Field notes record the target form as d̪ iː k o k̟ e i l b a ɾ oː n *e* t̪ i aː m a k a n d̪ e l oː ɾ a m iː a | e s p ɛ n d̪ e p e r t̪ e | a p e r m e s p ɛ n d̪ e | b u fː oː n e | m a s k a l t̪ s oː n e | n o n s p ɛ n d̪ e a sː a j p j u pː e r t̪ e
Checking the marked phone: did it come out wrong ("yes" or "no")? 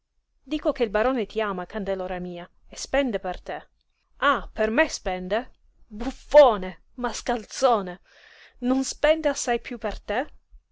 no